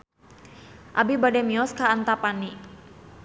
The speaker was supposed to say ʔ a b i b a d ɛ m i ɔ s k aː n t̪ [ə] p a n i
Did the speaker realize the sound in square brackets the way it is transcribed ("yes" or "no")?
no